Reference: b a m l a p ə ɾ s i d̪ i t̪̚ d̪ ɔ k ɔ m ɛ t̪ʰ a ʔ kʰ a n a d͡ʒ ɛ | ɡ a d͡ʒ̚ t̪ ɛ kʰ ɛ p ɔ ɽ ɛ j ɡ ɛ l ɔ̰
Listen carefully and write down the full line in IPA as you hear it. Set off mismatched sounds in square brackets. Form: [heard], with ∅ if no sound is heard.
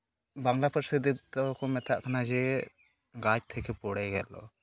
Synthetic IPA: b a [ŋ] l a p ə ɾ s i d̪ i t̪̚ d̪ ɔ k ɔ m ɛ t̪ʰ a ʔ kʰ a n a d͡ʒ ɛ | ɡ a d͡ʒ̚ [t̪ʰ] ɛ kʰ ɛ p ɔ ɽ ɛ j ɡ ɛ l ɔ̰